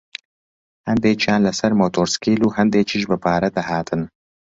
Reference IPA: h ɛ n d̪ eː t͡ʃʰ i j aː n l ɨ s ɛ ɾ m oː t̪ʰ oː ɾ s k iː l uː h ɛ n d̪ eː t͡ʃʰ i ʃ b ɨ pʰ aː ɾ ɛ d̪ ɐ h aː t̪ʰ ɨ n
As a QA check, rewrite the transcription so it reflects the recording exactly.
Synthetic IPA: h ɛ n d̪ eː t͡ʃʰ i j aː n l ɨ s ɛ ɾ m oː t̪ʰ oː ɾ s k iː l uː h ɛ n d̪ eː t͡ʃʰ i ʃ b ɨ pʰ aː ɾ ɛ d̪ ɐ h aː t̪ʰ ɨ n